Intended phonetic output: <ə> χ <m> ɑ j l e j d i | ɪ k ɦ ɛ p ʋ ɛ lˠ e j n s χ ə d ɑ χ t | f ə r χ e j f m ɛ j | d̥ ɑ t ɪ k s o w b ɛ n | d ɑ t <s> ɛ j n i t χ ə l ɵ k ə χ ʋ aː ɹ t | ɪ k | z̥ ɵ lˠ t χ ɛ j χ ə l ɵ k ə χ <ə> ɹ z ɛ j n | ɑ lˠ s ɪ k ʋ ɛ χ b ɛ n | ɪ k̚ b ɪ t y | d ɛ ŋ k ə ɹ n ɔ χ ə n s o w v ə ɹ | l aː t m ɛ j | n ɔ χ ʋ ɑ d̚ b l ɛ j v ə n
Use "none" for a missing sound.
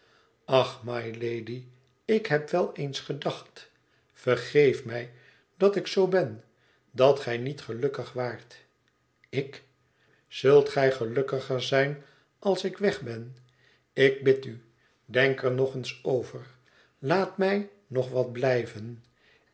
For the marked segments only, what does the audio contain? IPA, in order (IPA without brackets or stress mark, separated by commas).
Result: ɑ, m, χ, ə